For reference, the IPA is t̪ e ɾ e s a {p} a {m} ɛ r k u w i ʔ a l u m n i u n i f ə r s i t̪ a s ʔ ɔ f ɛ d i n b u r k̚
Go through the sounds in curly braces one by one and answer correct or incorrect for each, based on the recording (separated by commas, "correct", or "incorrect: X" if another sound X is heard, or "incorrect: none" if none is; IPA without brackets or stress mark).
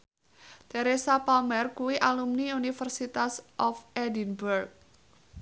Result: correct, correct